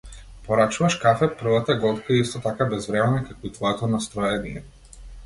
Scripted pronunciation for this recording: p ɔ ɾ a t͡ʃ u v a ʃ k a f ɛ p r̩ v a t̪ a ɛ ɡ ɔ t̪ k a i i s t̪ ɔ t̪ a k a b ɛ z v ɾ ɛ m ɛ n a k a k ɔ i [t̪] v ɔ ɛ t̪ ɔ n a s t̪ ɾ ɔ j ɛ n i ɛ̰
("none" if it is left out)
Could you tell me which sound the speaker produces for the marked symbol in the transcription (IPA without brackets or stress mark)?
t̪